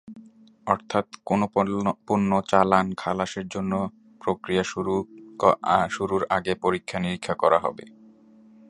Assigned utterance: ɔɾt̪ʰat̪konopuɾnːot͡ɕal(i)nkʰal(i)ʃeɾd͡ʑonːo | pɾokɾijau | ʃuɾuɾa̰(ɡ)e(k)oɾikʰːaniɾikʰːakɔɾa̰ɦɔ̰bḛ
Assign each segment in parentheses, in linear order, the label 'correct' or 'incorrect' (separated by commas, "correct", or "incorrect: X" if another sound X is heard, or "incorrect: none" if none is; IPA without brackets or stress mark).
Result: incorrect: a, incorrect: a, correct, incorrect: p